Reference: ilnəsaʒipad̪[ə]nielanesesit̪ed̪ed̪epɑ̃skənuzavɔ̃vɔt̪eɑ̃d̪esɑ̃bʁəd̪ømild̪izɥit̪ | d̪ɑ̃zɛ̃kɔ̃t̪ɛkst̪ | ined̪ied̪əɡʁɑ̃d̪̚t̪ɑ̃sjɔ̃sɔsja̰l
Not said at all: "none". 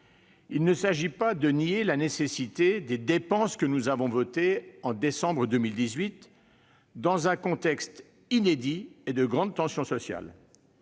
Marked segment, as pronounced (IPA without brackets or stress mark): ə